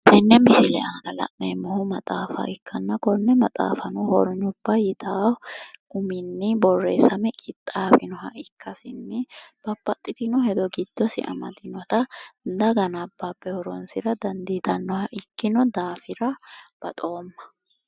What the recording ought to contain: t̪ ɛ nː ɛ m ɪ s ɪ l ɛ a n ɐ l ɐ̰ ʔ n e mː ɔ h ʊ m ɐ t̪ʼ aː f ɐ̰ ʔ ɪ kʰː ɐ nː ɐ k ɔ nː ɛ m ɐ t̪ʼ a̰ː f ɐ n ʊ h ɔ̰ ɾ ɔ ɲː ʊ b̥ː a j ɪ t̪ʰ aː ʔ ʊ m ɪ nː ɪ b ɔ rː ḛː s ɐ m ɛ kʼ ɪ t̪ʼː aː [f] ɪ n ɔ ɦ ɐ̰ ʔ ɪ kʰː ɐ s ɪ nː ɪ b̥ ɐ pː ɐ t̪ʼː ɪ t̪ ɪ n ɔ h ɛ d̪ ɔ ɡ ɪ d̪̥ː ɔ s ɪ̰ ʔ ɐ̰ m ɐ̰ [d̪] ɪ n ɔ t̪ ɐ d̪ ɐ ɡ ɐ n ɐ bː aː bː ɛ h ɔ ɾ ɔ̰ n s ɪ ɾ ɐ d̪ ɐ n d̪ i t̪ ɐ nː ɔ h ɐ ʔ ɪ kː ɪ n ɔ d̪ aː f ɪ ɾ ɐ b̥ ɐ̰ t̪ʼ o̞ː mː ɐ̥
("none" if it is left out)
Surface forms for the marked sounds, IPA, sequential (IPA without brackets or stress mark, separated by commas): f, d̪